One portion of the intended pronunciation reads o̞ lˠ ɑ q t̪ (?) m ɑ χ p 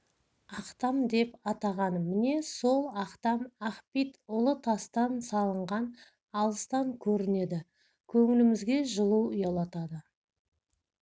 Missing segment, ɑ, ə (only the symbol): ɑ